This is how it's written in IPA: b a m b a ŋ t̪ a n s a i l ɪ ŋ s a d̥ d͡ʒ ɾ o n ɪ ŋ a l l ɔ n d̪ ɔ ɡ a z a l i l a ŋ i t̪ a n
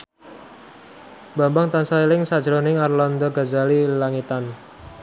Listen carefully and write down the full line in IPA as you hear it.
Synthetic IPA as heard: b a m b a ŋ t̪ a n s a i l ɪ ŋ s a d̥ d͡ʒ ɾ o n ɪ ŋ a r l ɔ n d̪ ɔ ɡ a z a l i l a ŋ i t̪ a n